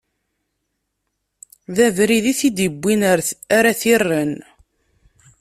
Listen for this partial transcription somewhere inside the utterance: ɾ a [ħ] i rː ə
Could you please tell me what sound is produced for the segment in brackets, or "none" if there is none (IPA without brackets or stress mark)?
θ